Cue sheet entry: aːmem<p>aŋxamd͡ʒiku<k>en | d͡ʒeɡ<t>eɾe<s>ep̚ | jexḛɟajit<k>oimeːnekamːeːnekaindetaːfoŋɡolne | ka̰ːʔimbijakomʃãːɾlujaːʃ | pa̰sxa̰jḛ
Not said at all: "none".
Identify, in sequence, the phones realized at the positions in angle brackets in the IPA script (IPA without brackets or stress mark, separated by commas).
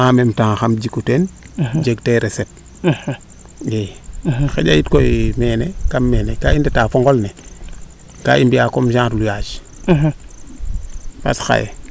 t, t, t, s, k